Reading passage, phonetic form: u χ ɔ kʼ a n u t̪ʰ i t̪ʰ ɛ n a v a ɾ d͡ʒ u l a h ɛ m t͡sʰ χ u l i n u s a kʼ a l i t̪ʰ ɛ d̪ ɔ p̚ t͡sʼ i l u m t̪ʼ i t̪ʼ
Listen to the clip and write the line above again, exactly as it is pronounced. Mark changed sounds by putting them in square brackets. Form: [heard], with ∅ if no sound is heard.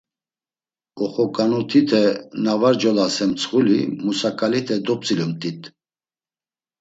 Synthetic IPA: [ɔ] χ ɔ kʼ a n u t̪ʰ i t̪ʰ ɛ n a v a ɾ d͡ʒ [ɔ] l a [s] ɛ m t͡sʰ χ u l i [m] u s a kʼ a l i t̪ʰ ɛ d̪ ɔ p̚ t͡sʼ i l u m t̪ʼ i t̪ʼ